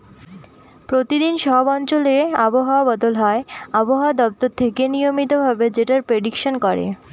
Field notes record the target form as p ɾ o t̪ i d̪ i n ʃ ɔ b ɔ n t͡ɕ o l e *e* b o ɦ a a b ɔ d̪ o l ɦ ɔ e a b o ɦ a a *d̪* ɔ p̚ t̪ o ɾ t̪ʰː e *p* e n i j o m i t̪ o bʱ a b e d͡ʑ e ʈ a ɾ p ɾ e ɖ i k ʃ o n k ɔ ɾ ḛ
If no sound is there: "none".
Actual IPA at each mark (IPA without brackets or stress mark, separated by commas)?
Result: a, d̪, k